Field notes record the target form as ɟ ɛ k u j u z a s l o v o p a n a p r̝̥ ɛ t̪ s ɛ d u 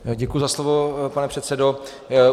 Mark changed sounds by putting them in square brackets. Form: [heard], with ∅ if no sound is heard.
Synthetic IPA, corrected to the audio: ɟ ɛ k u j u z a s l o v o p a n [ɛ] p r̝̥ ɛ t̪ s ɛ d [o]